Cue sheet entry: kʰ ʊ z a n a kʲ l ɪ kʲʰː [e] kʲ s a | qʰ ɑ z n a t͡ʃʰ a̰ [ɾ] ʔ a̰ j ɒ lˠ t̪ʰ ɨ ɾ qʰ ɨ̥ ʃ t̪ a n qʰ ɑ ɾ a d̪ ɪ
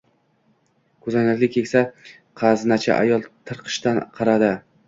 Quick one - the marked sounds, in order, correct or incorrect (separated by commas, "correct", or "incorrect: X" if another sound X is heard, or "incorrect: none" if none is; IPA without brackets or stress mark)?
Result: correct, incorrect: none